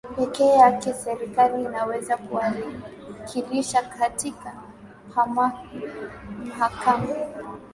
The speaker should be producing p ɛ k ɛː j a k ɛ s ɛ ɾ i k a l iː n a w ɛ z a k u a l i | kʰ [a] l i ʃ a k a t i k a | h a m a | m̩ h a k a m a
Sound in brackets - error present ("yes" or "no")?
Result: yes